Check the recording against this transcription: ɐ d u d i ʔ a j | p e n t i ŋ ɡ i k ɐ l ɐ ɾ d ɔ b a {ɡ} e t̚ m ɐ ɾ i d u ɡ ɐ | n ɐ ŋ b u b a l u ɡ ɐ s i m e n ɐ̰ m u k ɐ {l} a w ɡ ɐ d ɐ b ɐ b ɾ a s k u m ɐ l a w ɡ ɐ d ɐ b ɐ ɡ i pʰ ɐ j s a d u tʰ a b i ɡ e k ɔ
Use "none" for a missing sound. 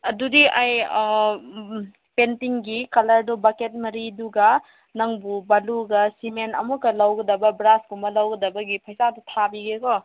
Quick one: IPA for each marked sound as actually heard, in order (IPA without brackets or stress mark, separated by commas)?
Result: k, l